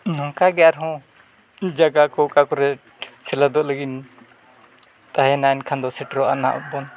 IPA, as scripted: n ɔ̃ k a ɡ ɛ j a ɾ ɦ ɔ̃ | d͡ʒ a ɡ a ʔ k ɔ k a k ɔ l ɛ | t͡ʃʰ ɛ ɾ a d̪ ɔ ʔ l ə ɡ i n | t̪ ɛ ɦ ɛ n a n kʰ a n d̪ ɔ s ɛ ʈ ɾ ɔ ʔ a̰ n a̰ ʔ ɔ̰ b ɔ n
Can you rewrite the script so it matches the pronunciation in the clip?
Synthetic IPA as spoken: n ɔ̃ k a ɡ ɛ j a ɾ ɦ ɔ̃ | d͡ʒ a ɡ a k ɔ k a k ɔ ɾ ɛ | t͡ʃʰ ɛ l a d̪ ɔ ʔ l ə ɡ i n | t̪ a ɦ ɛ n a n kʰ a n d̪ ɔ s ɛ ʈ ɾ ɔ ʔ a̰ n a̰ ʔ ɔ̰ b ɔ n